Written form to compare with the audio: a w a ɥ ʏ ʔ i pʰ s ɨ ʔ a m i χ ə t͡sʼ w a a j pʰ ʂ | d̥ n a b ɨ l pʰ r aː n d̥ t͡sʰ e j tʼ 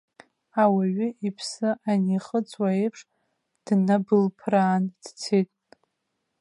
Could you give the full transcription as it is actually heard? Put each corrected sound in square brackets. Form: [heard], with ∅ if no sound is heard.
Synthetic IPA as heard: a w a ɥ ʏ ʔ i pʰ s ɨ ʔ a [n] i χ ə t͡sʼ w a [e] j pʰ ʂ | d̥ n a b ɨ l pʰ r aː n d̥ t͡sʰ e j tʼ